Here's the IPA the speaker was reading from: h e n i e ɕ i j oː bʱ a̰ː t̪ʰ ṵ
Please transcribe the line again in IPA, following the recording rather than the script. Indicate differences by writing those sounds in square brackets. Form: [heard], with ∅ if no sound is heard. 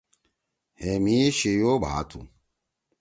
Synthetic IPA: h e [m] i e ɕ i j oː bʱ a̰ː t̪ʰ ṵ